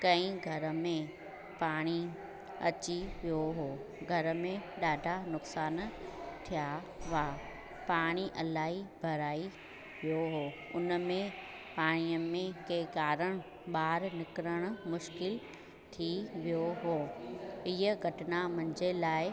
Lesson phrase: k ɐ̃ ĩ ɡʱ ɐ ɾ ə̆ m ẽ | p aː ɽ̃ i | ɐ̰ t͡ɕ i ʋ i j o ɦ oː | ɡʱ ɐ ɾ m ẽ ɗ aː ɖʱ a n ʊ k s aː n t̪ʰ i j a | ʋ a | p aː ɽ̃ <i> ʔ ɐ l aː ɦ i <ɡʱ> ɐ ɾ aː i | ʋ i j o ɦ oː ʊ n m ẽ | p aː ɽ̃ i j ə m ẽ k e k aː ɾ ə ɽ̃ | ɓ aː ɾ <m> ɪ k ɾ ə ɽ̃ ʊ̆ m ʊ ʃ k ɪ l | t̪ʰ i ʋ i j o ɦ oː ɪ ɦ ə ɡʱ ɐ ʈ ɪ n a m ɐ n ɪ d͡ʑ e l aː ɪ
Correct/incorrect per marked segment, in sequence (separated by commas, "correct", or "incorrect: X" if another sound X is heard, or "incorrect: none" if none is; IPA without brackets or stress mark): correct, incorrect: bʱ, incorrect: n